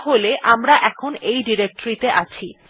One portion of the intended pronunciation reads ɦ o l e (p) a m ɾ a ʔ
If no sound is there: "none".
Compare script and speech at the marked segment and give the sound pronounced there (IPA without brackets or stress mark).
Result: ʔ